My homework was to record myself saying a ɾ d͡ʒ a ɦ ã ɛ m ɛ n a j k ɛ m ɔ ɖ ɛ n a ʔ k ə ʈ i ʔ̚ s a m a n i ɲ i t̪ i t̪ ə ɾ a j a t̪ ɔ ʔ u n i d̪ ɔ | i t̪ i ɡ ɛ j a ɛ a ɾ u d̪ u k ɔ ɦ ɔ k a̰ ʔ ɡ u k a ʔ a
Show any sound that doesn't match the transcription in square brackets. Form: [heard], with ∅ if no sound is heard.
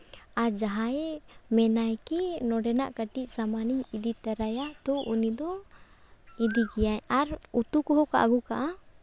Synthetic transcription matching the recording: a ɾ d͡ʒ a ɦ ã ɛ m ɛ n a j k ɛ [n] ɔ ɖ ɛ n a ʔ k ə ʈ i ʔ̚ s a m a n i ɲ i [d̪] i t̪ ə ɾ a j a t̪ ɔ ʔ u n i d̪ ɔ | i [d̪] i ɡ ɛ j a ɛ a ɾ u [t̪] u k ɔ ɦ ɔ k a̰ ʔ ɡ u k a ʔ a